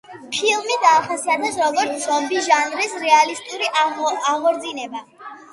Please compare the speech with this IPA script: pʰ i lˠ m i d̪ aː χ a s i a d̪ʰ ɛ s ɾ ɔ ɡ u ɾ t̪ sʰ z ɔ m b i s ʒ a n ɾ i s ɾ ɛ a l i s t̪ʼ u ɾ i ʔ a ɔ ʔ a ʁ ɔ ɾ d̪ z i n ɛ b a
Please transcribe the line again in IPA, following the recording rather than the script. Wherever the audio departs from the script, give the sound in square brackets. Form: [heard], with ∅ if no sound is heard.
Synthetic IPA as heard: pʰ i lˠ m i d̪ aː χ a s i a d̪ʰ ɛ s ɾ ɔ ɡ [ɔ] ɾ t̪ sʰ z ɔ m b i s ʒ a n ɾ i s ɾ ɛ a l i s t̪ʼ u ɾ i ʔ a ɔ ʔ a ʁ ɔ ɾ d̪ z i n ɛ b a